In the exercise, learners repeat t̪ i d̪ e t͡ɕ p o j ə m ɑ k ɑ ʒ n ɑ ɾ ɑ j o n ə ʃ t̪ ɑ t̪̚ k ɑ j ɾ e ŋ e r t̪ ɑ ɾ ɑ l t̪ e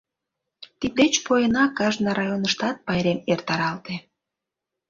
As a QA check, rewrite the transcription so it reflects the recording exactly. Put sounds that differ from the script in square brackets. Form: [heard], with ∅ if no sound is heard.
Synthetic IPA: t̪ i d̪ e t͡ɕ p o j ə [n] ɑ k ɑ ʒ n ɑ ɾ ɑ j o n ə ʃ t̪ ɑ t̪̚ [p] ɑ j ɾ e [m] e r t̪ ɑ ɾ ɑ l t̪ e